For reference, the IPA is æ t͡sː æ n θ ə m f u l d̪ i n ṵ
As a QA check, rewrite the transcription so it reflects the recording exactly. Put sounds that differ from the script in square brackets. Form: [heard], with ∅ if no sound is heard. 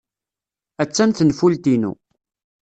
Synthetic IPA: æ t͡sː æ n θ ə [n] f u l [t̪] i n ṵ

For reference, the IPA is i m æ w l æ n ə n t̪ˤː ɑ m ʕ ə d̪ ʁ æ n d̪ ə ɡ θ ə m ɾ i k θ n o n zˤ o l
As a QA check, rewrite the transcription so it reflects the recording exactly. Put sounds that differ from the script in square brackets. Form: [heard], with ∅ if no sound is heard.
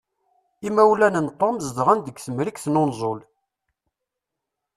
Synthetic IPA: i m æ w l æ n ə n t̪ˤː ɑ m [z] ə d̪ ʁ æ n d̪ ə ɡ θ ə m ɾ i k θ n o n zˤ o l

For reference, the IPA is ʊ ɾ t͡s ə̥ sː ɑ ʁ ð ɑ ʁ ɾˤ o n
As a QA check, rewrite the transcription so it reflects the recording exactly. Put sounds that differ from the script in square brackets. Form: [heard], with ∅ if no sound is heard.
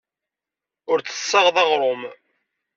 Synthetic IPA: ʊ ɾ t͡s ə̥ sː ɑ ʁ ð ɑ ʁ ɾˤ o [m]

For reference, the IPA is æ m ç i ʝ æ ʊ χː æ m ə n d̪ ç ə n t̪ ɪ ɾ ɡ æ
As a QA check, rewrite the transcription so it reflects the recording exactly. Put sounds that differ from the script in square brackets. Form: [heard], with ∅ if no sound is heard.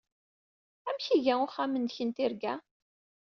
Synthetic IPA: æ m ç i ʝ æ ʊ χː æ m ə n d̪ ç ə n t̪ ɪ ɾ ɡ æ

